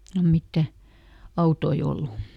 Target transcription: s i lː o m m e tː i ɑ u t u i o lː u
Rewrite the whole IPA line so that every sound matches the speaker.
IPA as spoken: s i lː o m m i tː æ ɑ u t o i o lː u